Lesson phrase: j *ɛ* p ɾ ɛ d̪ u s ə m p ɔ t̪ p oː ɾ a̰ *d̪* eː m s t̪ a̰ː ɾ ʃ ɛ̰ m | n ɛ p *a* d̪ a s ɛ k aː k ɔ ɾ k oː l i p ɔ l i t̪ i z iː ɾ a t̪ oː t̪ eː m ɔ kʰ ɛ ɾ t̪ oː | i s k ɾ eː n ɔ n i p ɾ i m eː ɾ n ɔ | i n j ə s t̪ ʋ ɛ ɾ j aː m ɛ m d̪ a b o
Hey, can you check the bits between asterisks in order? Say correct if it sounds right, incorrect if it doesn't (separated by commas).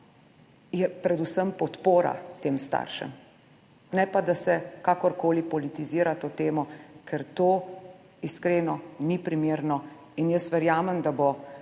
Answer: correct, incorrect, correct